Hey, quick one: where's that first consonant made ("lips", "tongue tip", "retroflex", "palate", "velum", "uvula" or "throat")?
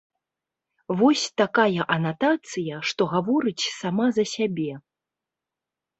lips